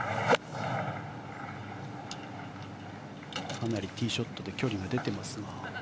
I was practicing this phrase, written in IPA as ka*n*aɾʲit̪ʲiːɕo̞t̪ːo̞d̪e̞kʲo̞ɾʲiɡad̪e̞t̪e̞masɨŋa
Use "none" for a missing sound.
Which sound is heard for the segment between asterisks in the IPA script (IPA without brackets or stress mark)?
n